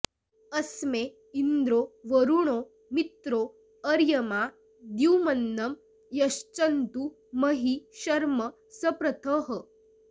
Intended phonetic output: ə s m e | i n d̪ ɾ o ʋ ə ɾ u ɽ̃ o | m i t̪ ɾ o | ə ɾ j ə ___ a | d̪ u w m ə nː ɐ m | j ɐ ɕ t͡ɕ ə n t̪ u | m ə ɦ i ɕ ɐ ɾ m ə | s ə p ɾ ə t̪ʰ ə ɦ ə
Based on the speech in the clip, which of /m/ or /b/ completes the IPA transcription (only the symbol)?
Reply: m